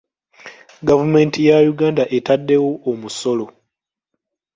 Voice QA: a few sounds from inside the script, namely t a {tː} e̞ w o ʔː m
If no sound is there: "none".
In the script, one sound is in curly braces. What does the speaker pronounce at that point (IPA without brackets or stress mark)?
dː